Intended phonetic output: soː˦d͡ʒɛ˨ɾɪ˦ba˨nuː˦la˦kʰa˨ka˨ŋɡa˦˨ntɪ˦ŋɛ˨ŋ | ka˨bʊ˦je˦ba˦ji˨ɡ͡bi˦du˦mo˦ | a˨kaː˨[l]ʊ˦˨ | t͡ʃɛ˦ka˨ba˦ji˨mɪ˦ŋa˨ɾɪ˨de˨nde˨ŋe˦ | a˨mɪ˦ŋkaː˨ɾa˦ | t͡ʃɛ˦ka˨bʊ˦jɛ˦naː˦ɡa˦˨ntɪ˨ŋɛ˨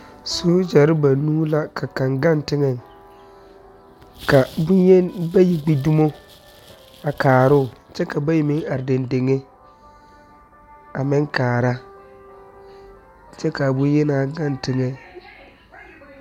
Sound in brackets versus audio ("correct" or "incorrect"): incorrect